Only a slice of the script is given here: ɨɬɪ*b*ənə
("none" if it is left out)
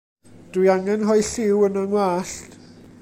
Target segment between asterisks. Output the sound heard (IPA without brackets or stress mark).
w